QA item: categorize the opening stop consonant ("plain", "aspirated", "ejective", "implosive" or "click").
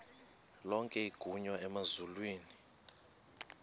ejective